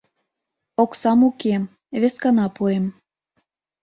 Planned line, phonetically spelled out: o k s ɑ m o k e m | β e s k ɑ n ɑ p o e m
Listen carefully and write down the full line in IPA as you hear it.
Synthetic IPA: o k s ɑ m u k e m | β e s k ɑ n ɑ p u e m